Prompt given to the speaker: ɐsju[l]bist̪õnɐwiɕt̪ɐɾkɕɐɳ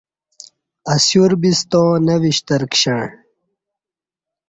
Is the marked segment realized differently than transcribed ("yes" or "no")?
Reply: yes